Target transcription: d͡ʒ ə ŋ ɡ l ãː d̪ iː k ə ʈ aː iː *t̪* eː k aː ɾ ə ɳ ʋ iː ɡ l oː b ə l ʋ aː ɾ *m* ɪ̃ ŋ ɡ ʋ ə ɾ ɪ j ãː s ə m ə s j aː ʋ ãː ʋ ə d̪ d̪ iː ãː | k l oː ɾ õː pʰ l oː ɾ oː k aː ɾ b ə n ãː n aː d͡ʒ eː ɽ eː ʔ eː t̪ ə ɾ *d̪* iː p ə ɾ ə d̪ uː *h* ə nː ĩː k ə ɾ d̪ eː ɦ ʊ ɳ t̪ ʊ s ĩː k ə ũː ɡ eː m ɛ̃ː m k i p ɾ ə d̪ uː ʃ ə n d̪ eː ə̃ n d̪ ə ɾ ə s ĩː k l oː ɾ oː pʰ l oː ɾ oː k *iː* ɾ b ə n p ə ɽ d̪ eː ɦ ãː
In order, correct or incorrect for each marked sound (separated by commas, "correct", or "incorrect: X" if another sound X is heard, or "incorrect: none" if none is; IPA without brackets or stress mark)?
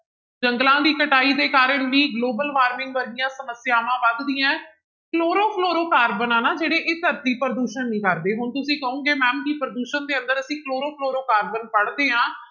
incorrect: d̪, correct, incorrect: t̪, incorrect: ʃ, incorrect: aː